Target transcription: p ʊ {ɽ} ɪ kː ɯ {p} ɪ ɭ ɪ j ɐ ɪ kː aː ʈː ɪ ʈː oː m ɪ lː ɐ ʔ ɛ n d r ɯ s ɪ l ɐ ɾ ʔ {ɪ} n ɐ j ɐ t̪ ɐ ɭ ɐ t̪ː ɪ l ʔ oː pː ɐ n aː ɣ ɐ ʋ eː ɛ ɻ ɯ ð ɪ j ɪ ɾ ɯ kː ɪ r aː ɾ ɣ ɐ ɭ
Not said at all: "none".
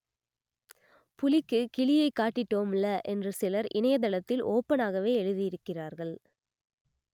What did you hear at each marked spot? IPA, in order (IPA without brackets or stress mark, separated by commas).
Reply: l, k, ɪ